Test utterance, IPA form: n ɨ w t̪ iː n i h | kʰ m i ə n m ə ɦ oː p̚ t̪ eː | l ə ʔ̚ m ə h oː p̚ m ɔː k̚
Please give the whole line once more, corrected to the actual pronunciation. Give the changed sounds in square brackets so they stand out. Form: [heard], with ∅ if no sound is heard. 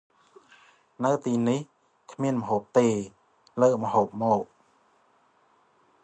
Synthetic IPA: n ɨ w t̪ iː n i h | kʰ m i ə n m ə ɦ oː p̚ t̪ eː | l [əː] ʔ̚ m ə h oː p̚ m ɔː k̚